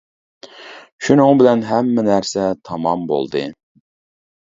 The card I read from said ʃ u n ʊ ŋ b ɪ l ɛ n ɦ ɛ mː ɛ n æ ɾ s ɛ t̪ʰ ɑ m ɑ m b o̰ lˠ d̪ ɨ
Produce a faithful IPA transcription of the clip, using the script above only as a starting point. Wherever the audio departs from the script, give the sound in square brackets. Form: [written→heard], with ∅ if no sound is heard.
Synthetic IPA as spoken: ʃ u n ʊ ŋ b ɪ l ɛ n ɦ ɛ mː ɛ n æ ɾ s ɛ t̪ʰ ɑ m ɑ m b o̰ lˠ d̪ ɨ